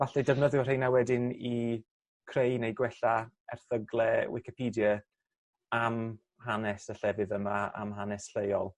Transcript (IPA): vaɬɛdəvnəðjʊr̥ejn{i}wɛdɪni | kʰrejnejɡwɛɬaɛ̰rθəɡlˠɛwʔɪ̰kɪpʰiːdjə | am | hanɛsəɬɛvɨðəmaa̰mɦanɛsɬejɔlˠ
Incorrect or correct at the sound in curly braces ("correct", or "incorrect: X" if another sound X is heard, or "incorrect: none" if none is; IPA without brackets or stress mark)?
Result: incorrect: a